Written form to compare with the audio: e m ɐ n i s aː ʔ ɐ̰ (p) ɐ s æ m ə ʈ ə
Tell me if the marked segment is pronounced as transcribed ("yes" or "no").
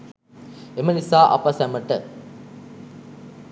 yes